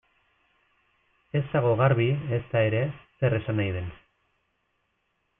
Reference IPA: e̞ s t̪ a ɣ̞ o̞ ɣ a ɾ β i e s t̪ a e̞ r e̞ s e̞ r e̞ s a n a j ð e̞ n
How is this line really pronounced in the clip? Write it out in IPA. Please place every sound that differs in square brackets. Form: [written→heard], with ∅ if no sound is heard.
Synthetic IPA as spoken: e̞ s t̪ a ɣ̞ o̞ ɣ a ɾ β i e s t̪ a e̞ [r→ɾ] e̞ s e̞ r e̞ s a n a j ð e̞ n

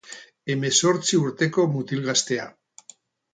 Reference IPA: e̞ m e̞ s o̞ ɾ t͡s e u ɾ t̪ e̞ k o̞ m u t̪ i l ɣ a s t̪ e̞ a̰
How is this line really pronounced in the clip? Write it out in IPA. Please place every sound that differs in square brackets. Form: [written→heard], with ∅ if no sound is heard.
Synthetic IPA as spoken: e̞ m e̞ s o̞ ɾ t͡s [e→i] u ɾ t̪ e̞ k o̞ m u t̪ i l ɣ a s t̪ e̞ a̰

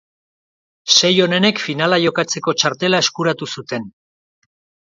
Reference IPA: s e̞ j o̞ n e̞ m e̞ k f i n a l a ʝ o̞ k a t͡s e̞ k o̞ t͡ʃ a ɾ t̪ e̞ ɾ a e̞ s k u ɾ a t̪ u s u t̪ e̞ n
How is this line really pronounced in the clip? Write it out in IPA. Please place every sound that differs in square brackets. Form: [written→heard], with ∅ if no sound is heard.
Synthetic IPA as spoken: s e̞ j o̞ n e̞ [m→n] e̞ k f i n a l a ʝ o̞ k a t͡s e̞ k o̞ t͡ʃ a ɾ t̪ e̞ [ɾ→l] a e̞ s k u ɾ a t̪ u s u t̪ e̞ n

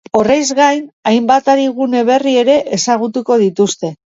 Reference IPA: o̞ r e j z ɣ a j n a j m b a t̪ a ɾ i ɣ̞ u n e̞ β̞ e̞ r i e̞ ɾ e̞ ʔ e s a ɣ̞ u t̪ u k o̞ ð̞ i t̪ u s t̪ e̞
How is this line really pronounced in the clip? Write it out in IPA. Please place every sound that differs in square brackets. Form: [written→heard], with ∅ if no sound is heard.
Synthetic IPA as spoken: o̞ r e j z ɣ a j n a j m b a t̪ a ɾ i ɣ̞ u n e̞ β̞ e̞ r i e̞ ɾ e̞ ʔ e s a ɣ̞ u t̪ u k o̞ ð̞ i t̪ u s t̪ e̞

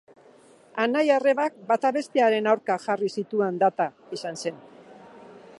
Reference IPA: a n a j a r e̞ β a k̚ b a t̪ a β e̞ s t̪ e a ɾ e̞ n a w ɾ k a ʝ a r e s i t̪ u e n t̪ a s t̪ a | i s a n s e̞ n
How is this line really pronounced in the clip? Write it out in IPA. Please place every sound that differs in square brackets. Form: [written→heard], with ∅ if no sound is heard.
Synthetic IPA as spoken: a n a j a r e̞ β a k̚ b a t̪ a β e̞ s t̪ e a ɾ e̞ n a w ɾ k a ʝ a r [e→i] s i t̪ u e n [t̪→d̪] a [s→∅] t̪ a | i s a n s e̞ n

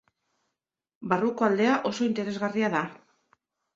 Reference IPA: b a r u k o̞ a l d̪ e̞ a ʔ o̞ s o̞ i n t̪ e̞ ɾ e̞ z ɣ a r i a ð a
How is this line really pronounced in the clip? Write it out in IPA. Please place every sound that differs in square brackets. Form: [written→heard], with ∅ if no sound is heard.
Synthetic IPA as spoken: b a r u k o̞ a l d̪ e̞ a ʔ o̞ s o̞ i n t̪ e̞ ɾ e̞ z ɣ a r i a ð a

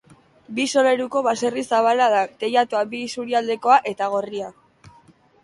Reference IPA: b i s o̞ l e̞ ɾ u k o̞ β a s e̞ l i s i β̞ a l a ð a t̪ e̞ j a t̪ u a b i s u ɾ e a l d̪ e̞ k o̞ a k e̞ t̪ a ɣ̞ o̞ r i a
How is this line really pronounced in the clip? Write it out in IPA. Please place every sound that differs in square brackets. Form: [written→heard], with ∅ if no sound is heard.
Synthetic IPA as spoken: b i s o̞ l e̞ ɾ u k o̞ β a s e̞ [l→r] i s [i→a] β̞ a l a ð a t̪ e̞ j a t̪ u a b i s u ɾ [e→i] a l d̪ e̞ k o̞ a [k→ʔ] e̞ t̪ a ɣ̞ o̞ r i a

